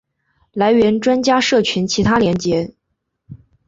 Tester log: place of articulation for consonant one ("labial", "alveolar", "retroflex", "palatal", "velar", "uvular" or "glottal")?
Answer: alveolar